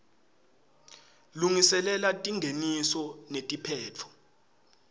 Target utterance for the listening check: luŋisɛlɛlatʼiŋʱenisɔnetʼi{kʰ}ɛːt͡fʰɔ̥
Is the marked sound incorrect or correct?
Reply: incorrect